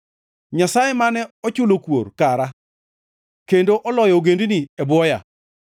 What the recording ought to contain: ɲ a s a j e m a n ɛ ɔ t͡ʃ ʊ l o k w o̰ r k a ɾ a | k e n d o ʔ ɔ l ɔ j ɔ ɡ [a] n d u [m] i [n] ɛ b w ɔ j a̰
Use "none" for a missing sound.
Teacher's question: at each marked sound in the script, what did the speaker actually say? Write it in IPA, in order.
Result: e, n, none

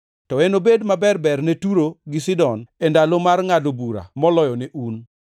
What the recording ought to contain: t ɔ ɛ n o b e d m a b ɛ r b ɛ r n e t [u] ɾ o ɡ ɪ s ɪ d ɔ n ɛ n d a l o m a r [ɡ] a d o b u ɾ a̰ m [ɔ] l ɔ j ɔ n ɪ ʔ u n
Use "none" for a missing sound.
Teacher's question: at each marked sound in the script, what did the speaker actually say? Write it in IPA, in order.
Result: u, ŋ, ɔ

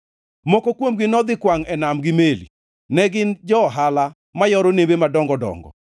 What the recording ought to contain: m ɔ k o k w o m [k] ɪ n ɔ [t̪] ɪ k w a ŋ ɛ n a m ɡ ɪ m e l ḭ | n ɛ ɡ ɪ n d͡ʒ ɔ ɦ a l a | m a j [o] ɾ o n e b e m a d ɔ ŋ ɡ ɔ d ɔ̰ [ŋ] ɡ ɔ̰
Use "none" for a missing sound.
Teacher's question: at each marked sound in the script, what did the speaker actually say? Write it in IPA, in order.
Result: ɡ, d̪, ɔ, ŋ

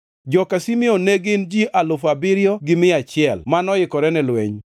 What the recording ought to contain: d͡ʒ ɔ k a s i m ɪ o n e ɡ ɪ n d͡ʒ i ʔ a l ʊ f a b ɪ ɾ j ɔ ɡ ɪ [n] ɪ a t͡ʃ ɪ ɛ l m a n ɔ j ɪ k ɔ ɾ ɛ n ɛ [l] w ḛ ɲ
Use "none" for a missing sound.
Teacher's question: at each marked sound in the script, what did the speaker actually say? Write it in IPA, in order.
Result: m, l

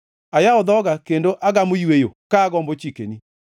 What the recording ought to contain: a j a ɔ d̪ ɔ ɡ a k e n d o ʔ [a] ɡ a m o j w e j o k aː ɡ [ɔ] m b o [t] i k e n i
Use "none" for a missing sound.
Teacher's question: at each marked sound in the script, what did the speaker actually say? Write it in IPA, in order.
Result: a, ɔ, t͡ʃ

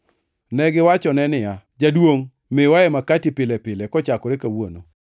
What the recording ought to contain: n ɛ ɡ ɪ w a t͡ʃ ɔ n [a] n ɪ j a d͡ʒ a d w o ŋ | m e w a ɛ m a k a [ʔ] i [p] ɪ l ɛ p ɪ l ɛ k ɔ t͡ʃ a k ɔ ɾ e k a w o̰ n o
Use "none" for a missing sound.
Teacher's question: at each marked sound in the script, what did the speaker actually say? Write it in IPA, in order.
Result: ɛ, t, p

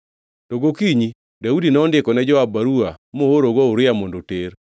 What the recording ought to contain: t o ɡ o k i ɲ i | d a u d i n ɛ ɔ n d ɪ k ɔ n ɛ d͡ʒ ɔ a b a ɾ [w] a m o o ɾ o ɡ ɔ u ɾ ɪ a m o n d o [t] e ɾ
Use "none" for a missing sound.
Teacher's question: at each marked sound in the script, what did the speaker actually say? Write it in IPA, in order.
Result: u, t

